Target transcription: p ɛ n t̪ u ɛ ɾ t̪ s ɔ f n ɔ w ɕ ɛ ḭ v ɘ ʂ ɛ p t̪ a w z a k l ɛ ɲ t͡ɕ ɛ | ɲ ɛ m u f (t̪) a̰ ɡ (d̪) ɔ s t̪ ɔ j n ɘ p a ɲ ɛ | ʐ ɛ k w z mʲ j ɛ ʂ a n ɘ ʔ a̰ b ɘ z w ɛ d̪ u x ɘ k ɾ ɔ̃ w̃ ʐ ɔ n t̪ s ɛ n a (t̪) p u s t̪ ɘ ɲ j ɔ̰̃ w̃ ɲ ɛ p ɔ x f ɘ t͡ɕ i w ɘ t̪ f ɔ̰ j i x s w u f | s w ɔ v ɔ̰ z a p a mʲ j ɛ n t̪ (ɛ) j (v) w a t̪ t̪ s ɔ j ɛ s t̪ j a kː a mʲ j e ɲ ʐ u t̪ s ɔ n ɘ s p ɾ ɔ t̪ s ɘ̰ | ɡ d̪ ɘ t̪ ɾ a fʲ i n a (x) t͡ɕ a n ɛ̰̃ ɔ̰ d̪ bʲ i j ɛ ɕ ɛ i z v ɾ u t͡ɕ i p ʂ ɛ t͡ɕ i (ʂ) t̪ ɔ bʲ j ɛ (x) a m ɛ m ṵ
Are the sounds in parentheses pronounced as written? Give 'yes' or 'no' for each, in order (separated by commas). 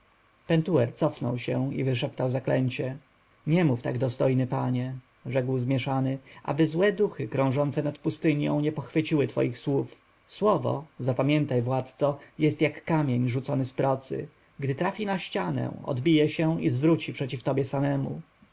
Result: yes, yes, yes, no, yes, no, no, no